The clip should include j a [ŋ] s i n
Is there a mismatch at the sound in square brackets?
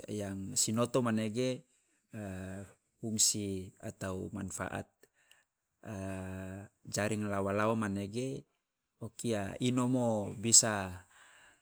no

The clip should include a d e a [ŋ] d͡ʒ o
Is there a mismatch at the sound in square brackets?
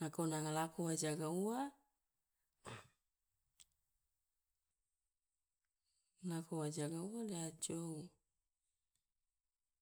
yes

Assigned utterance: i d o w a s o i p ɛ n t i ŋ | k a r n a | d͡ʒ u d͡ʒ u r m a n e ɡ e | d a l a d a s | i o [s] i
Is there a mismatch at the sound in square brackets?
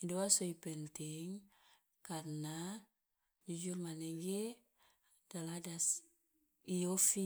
yes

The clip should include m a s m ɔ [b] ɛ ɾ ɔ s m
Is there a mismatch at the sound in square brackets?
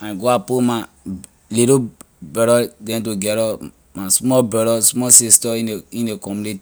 no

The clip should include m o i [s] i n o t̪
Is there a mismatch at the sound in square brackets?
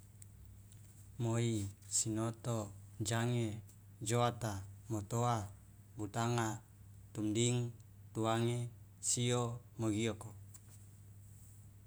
no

